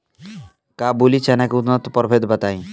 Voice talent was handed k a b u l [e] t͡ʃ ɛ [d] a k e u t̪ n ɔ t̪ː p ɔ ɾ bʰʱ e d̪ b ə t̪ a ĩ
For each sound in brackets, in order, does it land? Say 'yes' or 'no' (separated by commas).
no, no